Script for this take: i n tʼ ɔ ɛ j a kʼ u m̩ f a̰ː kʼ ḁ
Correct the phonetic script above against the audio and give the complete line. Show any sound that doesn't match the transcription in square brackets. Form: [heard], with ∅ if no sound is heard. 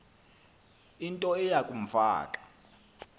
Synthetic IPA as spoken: i n tʼ ɔ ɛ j a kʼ u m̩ f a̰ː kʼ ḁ

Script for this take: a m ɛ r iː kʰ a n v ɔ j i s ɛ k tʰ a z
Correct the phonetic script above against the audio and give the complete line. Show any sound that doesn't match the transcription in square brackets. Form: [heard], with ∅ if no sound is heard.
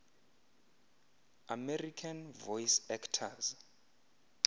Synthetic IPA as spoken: a m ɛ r [i] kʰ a n v ɔ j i s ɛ k tʰ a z

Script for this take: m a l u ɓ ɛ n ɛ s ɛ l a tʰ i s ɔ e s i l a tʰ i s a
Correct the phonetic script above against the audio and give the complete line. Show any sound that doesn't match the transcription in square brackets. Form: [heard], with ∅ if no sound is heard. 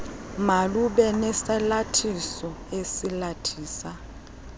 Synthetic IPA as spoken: m a l u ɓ ɛ n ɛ s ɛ l a tʰ i s ɔ e s i l a tʰ [iː] s a

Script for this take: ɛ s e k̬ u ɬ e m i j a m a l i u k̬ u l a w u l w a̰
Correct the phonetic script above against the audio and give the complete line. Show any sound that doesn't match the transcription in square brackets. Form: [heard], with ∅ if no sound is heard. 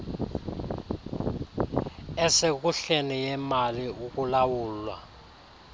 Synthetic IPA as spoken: ɛ s e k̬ u ɬ e [n] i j [ɛ] m a l i u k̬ u l a w [uː] l w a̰

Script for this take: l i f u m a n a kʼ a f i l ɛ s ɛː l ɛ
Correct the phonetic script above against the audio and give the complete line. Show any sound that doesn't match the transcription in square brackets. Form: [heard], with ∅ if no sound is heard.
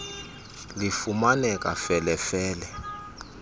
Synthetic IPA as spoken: l i f u m a n [ɛ] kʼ a f [ɛ] l ɛ [f] ɛː l ɛ

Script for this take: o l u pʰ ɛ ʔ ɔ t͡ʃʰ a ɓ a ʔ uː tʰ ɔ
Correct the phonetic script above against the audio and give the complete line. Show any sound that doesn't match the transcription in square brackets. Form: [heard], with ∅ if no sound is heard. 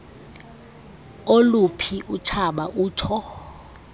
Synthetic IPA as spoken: o l u pʰ [i] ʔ [u] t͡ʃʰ a ɓ a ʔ uː tʰ ɔ

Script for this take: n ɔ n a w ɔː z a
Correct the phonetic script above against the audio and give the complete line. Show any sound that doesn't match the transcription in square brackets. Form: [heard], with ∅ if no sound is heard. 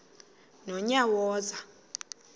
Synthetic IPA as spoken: n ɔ [ɲ] a w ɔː z a

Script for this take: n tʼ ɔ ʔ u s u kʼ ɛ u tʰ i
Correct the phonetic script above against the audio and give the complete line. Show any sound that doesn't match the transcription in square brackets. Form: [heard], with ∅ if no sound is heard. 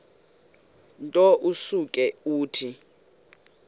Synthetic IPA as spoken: n tʼ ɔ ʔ u s u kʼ ɛ [uː] tʰ i

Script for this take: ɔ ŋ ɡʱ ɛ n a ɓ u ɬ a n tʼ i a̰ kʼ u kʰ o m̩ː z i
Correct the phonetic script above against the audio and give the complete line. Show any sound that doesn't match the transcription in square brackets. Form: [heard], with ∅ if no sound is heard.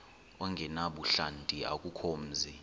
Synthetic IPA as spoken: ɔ ŋ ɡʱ ɛ n a ɓ u ɬ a n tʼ i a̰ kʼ u kʰ o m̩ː z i

